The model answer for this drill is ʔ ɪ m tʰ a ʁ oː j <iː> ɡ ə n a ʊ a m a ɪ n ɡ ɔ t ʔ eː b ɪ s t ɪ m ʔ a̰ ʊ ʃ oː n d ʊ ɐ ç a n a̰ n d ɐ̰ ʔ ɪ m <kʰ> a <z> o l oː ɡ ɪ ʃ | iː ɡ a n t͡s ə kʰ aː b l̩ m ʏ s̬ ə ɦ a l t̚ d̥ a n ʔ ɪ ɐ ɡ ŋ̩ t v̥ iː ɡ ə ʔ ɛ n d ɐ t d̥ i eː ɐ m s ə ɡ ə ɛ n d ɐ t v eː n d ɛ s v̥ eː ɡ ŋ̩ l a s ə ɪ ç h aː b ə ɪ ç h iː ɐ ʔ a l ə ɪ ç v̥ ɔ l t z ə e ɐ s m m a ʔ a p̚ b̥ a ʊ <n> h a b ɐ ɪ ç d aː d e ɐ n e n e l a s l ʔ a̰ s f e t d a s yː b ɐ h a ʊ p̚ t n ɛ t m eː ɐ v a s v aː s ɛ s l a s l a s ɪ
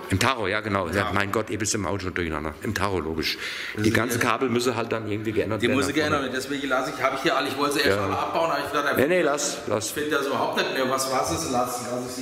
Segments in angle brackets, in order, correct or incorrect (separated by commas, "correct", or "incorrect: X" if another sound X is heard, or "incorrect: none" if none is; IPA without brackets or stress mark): incorrect: aː, incorrect: tʰ, incorrect: ʁ, correct